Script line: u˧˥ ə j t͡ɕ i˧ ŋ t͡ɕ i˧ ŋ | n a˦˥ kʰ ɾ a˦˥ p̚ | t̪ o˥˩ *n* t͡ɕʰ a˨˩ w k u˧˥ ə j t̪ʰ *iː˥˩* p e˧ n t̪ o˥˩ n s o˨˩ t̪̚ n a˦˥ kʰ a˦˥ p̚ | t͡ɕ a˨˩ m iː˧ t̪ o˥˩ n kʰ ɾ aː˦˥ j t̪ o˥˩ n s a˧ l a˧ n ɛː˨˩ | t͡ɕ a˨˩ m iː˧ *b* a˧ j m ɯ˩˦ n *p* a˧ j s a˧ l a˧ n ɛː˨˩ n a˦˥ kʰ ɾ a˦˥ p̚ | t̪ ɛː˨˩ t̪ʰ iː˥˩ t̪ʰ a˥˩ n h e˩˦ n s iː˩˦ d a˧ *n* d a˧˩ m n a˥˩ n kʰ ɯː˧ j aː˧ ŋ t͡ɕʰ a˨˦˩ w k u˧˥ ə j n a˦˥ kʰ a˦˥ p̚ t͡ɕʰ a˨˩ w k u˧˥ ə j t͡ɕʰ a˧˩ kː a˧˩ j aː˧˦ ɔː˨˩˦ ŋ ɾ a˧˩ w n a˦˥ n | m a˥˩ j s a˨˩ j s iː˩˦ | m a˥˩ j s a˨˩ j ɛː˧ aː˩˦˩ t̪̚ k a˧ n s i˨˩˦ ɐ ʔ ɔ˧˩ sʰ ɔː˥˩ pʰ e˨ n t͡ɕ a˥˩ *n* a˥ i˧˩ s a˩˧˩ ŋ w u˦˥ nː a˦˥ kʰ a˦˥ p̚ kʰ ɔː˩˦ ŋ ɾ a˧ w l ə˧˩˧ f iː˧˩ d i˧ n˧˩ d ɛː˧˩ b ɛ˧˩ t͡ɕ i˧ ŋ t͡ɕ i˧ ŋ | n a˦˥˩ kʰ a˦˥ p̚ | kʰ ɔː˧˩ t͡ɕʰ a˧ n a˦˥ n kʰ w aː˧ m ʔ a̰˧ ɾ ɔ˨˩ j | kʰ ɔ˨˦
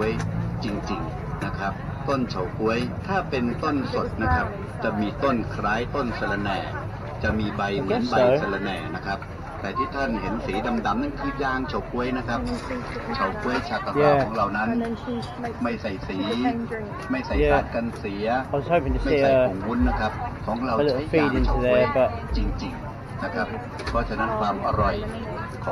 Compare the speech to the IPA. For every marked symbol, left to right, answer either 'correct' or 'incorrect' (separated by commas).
correct, incorrect, correct, incorrect, incorrect, incorrect